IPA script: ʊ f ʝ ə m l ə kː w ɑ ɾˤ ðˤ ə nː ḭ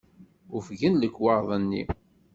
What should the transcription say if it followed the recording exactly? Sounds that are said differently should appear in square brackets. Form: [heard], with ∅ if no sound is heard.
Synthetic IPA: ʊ f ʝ ə [n] l ə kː w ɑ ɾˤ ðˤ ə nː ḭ